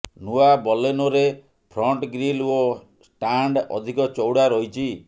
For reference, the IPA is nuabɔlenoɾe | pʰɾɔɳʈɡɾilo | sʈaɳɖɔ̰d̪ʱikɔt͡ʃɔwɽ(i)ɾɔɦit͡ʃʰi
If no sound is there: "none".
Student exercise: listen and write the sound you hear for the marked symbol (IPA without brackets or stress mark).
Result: a